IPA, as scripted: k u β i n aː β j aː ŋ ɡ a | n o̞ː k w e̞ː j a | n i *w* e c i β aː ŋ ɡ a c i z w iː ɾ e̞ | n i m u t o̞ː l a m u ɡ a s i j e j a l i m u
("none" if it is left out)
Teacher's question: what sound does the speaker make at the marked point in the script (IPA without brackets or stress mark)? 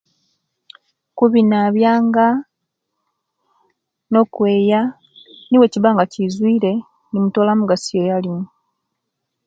w